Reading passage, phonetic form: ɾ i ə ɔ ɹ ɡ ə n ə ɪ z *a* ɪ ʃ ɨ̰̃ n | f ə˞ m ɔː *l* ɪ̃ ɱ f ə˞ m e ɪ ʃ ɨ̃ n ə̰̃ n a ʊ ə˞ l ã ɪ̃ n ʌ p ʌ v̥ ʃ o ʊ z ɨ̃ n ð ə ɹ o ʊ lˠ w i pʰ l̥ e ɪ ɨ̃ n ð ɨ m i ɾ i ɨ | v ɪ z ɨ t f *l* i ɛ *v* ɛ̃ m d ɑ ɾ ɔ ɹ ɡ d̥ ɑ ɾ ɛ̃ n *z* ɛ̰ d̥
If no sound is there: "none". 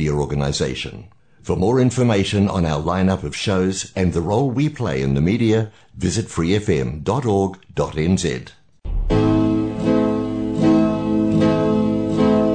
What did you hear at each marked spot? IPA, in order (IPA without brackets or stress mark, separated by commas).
e, ɹ, ɹ, f, z